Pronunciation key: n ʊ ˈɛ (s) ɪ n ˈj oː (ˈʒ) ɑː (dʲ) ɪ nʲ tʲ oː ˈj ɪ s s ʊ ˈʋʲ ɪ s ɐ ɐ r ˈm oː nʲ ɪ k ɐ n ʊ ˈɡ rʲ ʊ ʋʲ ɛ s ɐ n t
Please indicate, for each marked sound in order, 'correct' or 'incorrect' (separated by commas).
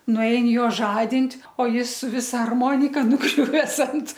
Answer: incorrect, correct, correct